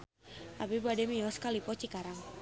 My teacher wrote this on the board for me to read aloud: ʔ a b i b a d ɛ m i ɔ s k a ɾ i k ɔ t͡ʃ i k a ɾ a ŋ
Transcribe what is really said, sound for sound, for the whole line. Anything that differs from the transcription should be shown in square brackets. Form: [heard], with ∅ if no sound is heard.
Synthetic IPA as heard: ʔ a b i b a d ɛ m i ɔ s k a [l] i [p] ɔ t͡ʃ i k a ɾ a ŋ